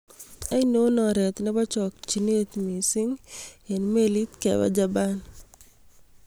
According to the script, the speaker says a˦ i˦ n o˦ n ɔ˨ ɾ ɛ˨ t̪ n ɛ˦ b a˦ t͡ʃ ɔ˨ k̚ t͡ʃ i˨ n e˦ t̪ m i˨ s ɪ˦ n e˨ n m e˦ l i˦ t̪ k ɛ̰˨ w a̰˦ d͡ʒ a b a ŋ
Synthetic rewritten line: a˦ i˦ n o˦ n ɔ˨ ɾ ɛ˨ t̪ n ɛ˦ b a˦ t͡ʃ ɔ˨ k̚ t͡ʃ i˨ n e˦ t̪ m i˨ s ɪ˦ ŋ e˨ n m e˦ l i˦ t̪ k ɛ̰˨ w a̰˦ d͡ʒ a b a n